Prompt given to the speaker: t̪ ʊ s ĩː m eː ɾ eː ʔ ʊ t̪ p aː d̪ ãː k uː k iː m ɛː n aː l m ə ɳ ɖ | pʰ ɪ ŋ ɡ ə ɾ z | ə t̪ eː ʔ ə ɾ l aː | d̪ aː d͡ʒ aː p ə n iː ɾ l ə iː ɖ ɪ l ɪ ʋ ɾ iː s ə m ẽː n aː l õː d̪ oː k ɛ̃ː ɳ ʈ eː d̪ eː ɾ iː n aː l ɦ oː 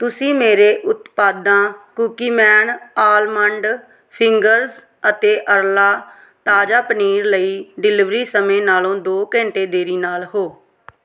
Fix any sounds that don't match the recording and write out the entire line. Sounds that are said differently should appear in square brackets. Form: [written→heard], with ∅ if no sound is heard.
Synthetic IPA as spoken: t̪ ʊ s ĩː m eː ɾ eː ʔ ʊ t̪ p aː d̪ ãː k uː k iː m ɛː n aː l m ə ɳ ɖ | pʰ ɪ ŋ ɡ ə ɾ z | ə t̪ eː ʔ ə ɾ l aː | [d̪→t̪] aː d͡ʒ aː p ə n iː ɾ l ə iː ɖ ɪ l ɪ ʋ ɾ iː s ə m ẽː n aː l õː d̪ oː k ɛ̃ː ɳ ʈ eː d̪ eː ɾ iː n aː l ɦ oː